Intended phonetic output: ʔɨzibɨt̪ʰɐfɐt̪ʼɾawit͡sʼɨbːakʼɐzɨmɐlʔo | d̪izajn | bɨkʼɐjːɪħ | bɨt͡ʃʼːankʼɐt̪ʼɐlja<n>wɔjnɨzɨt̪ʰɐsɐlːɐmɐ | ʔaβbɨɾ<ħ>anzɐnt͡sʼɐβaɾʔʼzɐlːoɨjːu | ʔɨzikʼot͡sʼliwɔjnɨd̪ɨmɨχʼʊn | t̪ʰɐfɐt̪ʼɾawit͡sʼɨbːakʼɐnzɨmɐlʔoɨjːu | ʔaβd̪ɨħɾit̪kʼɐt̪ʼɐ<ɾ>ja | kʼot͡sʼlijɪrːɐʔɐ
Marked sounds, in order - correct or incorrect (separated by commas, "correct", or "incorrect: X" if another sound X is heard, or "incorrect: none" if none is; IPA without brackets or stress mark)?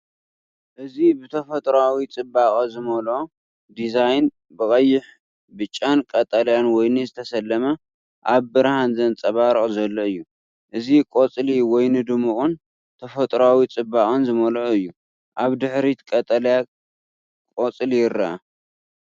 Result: correct, incorrect: h, incorrect: l